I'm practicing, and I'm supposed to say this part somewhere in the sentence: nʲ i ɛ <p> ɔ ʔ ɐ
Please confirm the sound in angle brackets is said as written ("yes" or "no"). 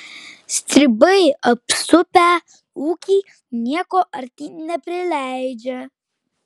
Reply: no